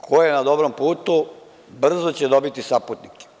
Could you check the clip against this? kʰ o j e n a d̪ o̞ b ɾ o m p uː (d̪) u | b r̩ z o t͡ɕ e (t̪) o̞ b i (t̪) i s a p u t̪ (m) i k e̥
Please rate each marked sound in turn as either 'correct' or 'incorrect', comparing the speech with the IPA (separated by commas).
incorrect, incorrect, correct, incorrect